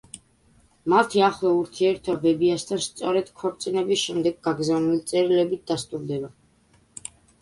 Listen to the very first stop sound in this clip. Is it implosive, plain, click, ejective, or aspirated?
aspirated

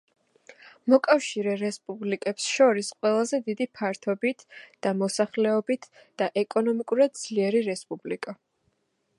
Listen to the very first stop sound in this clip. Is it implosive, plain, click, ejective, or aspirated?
ejective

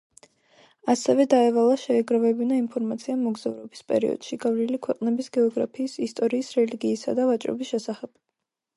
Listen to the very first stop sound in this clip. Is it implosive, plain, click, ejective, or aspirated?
plain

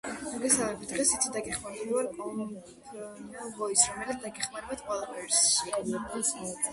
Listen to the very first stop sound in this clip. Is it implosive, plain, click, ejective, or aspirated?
plain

